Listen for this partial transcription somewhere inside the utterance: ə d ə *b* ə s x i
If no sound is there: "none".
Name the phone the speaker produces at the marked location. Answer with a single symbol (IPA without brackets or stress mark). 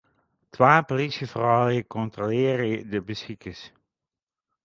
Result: b